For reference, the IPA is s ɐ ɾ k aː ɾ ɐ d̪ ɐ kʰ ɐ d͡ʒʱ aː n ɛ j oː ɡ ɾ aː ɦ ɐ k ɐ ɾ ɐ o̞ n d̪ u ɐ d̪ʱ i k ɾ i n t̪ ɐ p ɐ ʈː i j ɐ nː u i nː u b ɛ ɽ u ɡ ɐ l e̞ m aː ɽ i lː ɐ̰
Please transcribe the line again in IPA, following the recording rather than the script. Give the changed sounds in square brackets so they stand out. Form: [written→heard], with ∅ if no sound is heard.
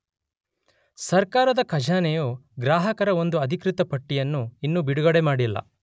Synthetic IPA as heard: s ɐ ɾ k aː ɾ ɐ d̪ ɐ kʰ ɐ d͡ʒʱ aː n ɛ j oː ɡ ɾ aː ɦ ɐ k ɐ ɾ ɐ o̞ n d̪ u ɐ d̪ʱ i k ɾ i [n→∅] t̪ ɐ p ɐ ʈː i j ɐ nː u i nː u b [ɛ→i] ɽ u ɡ ɐ [l→ɽ] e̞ m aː ɽ i lː ɐ̰